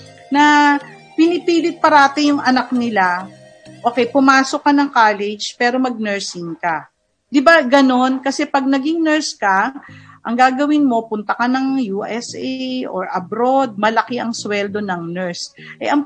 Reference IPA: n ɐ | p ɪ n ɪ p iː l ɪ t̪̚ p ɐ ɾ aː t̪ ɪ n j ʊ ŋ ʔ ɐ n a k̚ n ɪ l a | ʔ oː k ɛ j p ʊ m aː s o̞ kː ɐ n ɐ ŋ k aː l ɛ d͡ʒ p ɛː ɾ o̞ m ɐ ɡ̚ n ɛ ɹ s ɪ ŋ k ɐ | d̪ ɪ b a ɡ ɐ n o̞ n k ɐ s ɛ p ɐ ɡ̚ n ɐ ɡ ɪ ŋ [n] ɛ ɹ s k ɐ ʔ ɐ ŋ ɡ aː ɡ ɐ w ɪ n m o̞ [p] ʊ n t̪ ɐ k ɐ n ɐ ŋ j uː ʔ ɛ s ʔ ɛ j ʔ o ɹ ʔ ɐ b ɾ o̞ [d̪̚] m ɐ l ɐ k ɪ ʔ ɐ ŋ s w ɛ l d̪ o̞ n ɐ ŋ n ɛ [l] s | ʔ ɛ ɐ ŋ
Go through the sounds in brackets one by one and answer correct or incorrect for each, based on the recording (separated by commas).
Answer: correct, correct, correct, incorrect